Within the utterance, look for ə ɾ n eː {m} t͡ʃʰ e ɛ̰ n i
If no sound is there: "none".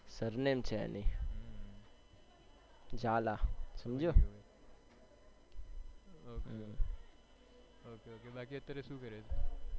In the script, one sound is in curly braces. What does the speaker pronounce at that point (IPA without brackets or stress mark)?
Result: m